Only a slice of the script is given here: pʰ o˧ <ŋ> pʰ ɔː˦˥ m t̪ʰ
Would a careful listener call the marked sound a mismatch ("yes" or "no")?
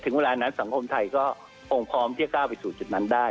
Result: no